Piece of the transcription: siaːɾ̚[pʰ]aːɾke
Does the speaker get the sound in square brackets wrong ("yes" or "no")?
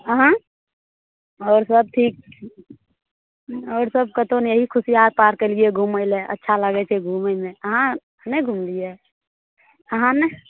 yes